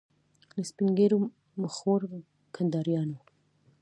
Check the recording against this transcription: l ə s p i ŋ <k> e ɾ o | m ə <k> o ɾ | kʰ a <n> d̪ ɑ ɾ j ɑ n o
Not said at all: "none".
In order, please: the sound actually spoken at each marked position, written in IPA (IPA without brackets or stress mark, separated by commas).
ɡ, x, n